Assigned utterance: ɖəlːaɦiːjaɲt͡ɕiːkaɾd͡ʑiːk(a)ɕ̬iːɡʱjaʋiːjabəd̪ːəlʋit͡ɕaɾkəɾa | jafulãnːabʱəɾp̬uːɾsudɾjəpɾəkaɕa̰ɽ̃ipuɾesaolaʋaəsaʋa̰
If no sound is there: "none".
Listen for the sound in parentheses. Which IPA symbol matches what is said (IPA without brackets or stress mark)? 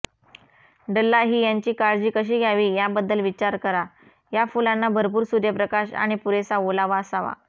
ə